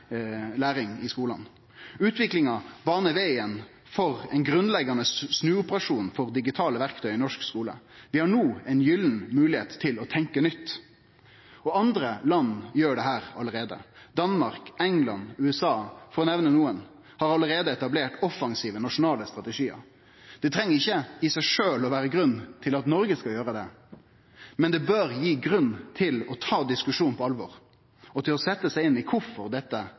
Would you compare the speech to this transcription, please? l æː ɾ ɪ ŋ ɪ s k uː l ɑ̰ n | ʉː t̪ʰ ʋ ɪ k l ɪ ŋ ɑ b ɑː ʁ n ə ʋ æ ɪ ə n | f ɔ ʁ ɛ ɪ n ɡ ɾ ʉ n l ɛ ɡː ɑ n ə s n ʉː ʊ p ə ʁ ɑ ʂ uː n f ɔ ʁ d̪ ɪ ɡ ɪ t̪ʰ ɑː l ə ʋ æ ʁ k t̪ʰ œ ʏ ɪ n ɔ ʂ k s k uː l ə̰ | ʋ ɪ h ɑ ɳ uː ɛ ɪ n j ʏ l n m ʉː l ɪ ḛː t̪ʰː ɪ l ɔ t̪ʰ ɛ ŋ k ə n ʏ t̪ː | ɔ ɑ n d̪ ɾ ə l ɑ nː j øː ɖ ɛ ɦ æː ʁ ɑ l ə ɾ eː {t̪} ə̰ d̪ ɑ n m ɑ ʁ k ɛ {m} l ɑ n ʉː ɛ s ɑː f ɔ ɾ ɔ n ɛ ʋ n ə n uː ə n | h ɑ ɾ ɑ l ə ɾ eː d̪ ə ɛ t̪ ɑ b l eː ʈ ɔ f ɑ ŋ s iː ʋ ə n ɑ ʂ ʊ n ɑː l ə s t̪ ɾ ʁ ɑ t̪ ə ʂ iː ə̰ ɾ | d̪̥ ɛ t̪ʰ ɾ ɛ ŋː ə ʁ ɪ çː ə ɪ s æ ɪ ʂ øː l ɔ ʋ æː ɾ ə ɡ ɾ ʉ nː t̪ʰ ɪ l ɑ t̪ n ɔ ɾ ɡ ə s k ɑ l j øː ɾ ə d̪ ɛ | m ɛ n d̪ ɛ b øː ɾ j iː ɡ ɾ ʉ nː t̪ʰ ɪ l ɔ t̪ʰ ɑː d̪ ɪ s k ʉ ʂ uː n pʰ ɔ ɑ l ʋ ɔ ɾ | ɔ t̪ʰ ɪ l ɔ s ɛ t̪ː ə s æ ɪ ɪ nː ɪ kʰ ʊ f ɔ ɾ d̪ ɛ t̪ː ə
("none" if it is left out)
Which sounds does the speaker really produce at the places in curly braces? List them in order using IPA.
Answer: d̪, ŋ

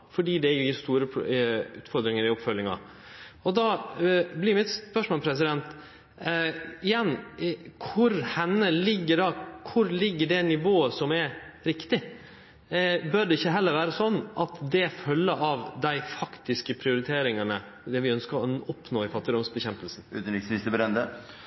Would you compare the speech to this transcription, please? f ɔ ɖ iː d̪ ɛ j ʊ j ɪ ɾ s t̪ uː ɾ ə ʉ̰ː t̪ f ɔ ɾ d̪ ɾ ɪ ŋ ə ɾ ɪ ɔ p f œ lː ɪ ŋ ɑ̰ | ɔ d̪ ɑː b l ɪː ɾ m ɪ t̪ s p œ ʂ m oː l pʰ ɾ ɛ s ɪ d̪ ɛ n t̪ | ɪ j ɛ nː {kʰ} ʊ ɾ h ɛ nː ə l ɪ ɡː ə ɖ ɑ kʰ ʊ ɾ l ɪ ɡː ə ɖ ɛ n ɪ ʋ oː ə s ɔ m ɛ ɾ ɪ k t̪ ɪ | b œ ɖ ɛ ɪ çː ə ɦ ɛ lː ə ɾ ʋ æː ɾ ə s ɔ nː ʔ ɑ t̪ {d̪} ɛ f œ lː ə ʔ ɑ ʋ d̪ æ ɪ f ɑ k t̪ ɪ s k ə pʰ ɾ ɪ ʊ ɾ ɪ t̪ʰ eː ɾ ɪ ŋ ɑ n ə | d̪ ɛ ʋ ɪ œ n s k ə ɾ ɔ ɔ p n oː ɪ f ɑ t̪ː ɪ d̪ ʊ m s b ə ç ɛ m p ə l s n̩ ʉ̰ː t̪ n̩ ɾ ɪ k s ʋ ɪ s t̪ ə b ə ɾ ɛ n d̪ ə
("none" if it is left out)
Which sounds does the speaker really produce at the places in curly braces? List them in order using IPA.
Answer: kʰ, d̪

